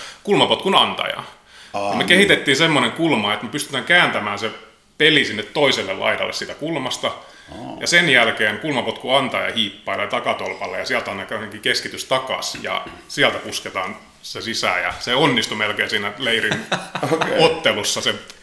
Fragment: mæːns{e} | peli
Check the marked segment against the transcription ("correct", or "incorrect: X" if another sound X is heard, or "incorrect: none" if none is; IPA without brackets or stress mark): correct